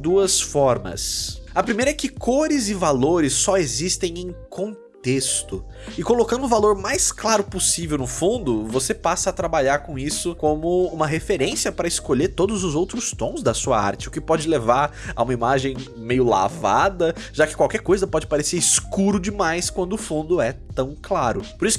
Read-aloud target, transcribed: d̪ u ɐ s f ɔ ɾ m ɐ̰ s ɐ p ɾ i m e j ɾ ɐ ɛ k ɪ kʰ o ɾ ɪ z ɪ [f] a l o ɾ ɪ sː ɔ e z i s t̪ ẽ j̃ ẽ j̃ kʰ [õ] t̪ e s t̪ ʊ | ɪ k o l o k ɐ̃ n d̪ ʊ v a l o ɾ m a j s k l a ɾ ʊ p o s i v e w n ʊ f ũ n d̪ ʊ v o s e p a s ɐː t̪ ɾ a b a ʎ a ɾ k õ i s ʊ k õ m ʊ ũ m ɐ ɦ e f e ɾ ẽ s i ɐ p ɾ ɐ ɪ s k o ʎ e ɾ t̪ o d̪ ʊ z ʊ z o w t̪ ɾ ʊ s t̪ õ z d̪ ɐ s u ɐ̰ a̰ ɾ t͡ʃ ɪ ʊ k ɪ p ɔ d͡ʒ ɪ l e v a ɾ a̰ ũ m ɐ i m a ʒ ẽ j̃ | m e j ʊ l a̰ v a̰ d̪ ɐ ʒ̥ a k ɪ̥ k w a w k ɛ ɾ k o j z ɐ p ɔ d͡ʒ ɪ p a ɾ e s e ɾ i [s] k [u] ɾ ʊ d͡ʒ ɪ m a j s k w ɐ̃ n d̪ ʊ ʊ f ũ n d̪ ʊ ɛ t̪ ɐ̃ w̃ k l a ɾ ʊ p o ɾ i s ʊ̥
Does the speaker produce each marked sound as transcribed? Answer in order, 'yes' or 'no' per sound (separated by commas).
no, yes, yes, yes